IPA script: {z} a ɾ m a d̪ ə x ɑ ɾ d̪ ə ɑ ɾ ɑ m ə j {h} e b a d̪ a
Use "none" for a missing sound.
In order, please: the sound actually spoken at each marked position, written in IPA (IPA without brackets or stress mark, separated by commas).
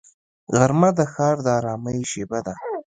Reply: ɣ, ʃ